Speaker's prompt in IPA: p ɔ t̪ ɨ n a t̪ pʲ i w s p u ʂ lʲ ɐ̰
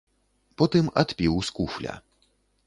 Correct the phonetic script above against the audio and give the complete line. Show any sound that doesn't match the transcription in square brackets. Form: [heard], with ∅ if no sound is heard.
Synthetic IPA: p ɔ t̪ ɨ [m] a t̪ pʲ i w s [k] u [f] lʲ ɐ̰

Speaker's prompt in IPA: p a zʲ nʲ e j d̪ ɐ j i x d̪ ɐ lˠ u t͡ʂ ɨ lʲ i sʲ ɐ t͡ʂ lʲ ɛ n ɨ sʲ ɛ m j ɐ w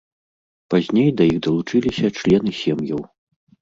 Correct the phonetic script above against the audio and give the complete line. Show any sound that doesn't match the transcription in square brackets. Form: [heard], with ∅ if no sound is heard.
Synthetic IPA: p a zʲ nʲ e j d̪ ɐ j i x d̪ ɐ lˠ u t͡ʂ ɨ lʲ i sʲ ɐ t͡ʂ lʲ ɛ n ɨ sʲ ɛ m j ɐ w

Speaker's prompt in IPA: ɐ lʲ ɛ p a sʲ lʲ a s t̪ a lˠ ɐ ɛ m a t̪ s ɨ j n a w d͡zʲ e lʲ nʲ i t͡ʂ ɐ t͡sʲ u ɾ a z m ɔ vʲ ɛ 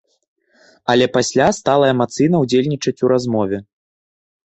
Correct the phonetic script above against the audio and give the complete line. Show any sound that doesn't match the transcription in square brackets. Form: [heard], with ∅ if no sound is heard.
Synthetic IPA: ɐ lʲ ɛ p a sʲ lʲ a s t̪ a lˠ ɐ ɛ m a t̪ s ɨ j n [ɐ] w d͡zʲ e lʲ nʲ i t͡ʂ ɐ t͡sʲ u ɾ a z m ɔ vʲ ɛ

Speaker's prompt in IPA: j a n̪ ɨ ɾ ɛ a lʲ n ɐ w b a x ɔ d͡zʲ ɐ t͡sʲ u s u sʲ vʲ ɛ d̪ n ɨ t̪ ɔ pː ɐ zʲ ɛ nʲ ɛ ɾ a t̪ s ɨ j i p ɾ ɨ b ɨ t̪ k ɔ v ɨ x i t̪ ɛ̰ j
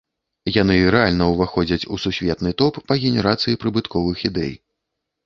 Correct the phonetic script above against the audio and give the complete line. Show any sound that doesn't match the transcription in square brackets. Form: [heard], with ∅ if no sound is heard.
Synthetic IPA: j a n̪ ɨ ɾ ɛ a lʲ n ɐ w [v] a x ɔ d͡zʲ ɐ t͡sʲ u s u sʲ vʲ ɛ [t̪] n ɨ t̪ ɔ pː ɐ [ɣʲ] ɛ nʲ ɛ ɾ a t̪ s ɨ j i p ɾ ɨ b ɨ t̪ k ɔ v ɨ x i [d̪] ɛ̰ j

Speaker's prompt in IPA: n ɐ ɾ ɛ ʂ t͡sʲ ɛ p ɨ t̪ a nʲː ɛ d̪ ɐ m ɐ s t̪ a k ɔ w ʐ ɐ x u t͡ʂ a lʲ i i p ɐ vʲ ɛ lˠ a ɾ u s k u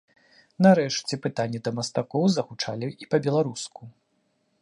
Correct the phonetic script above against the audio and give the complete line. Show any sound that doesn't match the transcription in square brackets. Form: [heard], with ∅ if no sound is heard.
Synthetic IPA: n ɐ ɾ ɛ ʂ t͡sʲ ɛ p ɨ t̪ a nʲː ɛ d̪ ɐ m ɐ s t̪ a k ɔ w [z] ɐ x u t͡ʂ a lʲ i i p ɐ [bʲ] ɛ lˠ a ɾ u s k u

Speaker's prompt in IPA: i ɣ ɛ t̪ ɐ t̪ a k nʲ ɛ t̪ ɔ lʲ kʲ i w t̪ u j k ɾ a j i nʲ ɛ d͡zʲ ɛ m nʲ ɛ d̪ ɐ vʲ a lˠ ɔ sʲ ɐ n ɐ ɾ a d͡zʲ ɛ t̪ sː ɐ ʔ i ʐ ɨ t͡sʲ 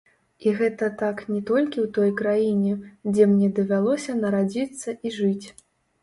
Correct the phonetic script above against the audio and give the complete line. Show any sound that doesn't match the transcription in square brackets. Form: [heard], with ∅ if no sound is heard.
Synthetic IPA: i ɣ ɛ t̪ ɐ t̪ a k nʲ ɛ t̪ ɔ lʲ kʲ i w t̪ [ɔ] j k ɾ a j i nʲ ɛ d͡zʲ ɛ m nʲ ɛ d̪ ɐ vʲ a lˠ ɔ sʲ ɐ n ɐ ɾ a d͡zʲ [i] t̪ sː ɐ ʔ i ʐ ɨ t͡sʲ

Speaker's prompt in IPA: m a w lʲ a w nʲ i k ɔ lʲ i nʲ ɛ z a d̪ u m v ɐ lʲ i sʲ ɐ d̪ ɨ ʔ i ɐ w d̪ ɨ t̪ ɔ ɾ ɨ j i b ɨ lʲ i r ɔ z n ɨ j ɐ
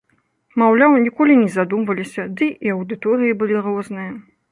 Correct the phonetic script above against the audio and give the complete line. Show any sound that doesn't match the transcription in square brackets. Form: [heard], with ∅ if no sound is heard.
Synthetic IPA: m a w lʲ a w nʲ i k ɔ lʲ i nʲ ɛ z a d̪ u m v ɐ lʲ i sʲ ɐ d̪ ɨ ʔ i ɐ w d̪ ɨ t̪ ɔ ɾ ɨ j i b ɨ lʲ i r ɔ z n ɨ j ɐ

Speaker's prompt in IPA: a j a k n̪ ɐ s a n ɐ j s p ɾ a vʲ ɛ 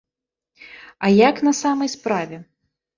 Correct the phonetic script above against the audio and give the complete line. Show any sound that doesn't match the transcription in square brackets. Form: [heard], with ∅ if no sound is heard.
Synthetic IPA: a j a k n̪ ɐ s a [m] ɐ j s p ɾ a vʲ ɛ

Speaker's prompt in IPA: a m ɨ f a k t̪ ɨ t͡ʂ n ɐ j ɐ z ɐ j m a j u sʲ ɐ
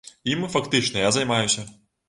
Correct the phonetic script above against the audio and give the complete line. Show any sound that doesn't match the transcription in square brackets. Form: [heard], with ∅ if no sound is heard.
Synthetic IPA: [i] m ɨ f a k t̪ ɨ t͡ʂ n ɐ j [a] z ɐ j m a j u sʲ ɐ

